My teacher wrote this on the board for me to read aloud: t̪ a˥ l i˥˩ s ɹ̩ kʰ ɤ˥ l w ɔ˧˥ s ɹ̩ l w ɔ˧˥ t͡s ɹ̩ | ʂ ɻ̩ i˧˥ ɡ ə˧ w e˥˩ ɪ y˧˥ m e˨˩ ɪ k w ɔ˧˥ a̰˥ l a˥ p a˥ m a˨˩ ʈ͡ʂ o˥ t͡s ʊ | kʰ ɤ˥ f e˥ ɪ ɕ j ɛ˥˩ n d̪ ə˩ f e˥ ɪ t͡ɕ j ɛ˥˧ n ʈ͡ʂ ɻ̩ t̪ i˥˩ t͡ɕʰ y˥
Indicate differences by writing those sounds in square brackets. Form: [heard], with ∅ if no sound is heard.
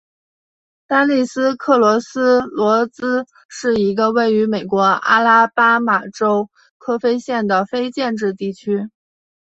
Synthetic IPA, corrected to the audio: t̪ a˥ l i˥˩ s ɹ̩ kʰ [ɤ˥˩] l w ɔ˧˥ s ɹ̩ l w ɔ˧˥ t͡s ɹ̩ | ʂ ɻ̩ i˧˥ ɡ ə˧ w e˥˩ ɪ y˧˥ m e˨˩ ɪ k w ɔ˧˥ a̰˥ l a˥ p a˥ m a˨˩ ʈ͡ʂ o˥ [∅] ʊ | kʰ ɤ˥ f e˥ ɪ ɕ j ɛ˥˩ n d̪ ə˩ f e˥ ɪ t͡ɕ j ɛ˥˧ n ʈ͡ʂ ɻ̩ t̪ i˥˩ t͡ɕʰ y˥